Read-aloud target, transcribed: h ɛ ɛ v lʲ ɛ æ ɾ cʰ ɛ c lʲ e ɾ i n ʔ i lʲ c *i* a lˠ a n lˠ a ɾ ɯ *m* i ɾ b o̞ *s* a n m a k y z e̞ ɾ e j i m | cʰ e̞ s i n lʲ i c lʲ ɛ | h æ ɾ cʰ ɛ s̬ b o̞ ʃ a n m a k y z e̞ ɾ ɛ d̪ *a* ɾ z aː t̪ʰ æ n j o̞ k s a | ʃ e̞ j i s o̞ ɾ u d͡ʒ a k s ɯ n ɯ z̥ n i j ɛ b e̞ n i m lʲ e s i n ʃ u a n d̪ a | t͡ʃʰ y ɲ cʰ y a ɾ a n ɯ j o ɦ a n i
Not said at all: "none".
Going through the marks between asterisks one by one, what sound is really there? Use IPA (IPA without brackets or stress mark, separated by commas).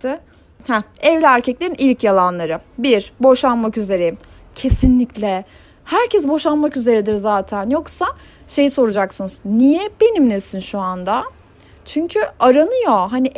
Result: j, b, ʃ, i